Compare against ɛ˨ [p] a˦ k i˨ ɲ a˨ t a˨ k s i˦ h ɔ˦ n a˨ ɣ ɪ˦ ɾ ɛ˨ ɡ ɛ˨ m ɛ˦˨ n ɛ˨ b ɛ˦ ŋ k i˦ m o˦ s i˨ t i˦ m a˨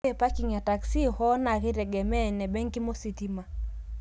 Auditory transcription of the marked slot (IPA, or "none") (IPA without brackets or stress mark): p